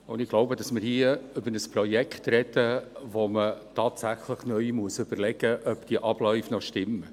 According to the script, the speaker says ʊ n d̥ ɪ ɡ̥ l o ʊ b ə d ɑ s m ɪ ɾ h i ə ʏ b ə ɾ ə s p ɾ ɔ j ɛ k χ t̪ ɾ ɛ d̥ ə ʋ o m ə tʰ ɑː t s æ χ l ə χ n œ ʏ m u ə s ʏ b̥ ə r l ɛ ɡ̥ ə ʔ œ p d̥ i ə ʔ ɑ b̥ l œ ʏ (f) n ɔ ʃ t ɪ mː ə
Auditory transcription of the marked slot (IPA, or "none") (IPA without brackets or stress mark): f